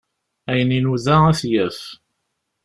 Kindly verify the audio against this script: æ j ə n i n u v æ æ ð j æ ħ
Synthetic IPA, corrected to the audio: æ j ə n i n u ð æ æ θ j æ f